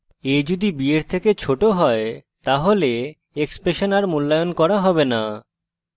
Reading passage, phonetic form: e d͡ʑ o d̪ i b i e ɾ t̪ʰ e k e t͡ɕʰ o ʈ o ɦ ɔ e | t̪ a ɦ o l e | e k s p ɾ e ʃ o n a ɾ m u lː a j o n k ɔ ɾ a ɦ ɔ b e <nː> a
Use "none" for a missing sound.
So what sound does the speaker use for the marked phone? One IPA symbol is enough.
n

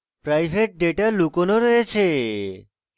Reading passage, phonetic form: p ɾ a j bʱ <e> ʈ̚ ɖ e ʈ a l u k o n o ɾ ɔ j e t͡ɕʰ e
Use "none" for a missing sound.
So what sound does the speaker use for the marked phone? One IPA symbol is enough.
e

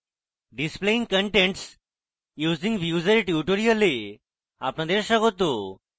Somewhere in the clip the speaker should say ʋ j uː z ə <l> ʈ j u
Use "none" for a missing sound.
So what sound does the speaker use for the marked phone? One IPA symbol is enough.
ɾ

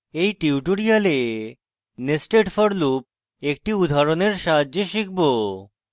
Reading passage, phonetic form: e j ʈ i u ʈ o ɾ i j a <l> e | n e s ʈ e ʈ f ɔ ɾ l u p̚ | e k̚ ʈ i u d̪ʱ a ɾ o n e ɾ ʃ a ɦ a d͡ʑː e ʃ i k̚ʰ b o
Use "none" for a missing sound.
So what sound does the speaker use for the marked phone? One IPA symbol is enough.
l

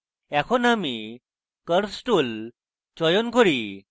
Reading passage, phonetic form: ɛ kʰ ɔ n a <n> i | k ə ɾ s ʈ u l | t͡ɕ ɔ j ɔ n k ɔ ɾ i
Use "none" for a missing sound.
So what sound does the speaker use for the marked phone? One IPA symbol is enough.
m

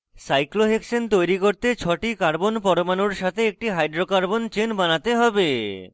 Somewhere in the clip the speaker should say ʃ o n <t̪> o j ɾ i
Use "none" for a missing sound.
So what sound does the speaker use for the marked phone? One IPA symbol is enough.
t̪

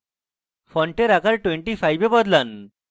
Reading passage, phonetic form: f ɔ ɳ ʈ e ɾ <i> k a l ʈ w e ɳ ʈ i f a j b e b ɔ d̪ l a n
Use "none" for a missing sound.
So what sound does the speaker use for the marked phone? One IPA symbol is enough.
a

